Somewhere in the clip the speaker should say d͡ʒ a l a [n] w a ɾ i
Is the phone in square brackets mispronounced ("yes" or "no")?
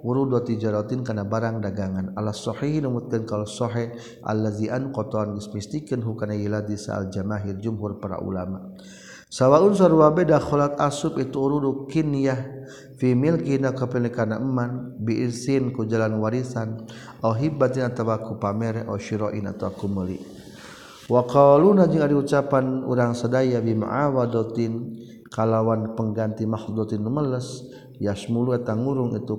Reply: no